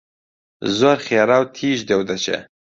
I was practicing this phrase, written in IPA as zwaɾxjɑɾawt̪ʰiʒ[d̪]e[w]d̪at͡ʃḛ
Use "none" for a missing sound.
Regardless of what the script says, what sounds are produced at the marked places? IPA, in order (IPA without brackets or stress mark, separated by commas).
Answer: d̪, w